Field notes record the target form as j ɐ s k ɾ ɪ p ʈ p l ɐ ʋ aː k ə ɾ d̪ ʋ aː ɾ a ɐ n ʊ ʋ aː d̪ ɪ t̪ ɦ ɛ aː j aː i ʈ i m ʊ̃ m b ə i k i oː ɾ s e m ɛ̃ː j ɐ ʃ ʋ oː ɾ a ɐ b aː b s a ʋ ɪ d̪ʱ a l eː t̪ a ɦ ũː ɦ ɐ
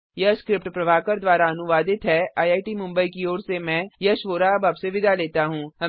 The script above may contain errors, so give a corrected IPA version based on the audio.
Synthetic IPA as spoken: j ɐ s k ɾ ɪ p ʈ p ɾ ɐ ʋ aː k ə ɾ d̪ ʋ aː ɾ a ɐ n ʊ ʋ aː d̪ ɪ t̪ ɦ ɛ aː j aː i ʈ i m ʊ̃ m b ə i k i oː ɾ s e m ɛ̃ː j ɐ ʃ ʋ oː ɾ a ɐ b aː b s e ʋ ɪ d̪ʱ a l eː t̪ a ɦ ũː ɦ ɐ